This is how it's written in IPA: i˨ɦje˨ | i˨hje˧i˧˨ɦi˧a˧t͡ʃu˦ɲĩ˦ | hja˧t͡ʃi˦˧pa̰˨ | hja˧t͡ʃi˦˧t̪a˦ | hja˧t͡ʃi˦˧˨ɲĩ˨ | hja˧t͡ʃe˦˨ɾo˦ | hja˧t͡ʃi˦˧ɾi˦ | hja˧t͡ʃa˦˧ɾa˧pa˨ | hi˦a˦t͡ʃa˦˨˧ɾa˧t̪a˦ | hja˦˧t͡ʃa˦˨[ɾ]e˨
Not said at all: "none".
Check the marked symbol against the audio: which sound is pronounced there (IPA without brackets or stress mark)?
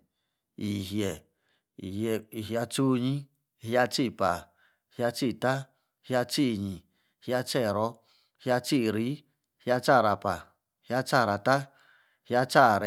ɾ